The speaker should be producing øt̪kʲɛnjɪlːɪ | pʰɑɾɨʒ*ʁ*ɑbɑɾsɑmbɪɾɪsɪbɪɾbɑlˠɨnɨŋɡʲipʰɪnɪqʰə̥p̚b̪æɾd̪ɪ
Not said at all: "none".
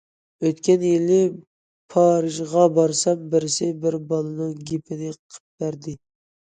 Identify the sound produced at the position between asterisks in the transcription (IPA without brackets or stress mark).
ʁ